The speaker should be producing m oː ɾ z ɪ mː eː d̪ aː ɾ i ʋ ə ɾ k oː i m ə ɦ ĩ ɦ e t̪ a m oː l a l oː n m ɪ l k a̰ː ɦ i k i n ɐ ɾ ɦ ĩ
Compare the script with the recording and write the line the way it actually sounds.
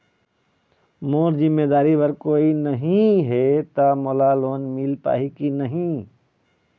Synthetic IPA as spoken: m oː ɾ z ɪ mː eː d̪ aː ɾ i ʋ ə ɾ k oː i n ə ɦ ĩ ɦ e t̪ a m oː l a l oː n m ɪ l p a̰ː ɦ i k i n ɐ ɦ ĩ